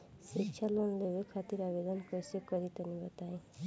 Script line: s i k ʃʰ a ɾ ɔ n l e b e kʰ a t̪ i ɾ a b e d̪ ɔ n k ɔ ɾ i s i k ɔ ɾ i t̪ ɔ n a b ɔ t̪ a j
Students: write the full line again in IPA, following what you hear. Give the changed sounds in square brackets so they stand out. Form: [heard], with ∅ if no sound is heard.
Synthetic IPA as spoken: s i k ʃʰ a [l] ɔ n l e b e kʰ a t̪ i ɾ a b e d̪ ɔ n k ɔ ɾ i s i k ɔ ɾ i t̪ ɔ n [i] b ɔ t̪ a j